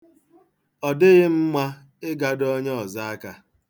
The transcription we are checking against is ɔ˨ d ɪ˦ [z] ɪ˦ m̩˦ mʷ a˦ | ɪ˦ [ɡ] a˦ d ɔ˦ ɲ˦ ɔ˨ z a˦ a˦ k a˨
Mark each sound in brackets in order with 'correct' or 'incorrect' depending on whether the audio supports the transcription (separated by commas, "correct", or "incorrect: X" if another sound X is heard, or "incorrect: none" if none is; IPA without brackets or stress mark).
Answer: incorrect: ɣ, correct